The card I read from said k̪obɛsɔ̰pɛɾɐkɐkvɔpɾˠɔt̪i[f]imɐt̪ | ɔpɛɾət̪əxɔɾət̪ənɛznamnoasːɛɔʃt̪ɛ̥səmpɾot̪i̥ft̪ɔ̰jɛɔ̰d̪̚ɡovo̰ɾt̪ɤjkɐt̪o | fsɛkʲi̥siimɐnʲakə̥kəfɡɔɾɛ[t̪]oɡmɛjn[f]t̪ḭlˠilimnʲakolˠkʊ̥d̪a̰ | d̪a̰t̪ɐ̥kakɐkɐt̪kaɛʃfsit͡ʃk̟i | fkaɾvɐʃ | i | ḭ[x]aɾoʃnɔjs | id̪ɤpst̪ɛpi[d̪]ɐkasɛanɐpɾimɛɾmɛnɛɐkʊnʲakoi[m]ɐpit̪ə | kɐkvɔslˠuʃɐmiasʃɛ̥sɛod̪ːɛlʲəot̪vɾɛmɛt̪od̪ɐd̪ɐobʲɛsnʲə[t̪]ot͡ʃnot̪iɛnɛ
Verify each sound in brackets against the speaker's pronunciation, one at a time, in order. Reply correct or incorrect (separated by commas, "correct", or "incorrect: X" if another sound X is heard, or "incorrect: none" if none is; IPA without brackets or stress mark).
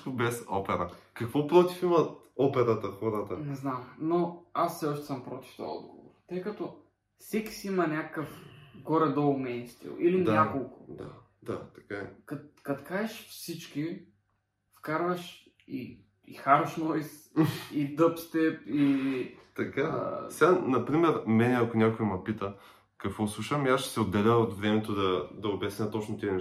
correct, incorrect: d̪, incorrect: s, correct, incorrect: t̪, correct, correct